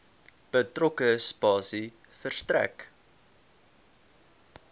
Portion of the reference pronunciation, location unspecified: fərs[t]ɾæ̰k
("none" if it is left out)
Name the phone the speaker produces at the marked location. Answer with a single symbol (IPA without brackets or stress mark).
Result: t